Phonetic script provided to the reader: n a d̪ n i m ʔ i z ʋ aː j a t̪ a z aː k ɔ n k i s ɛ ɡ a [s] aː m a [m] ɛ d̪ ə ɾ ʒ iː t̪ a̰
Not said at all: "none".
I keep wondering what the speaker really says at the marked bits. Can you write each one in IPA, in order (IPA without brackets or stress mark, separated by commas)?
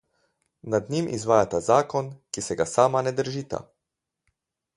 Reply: s, n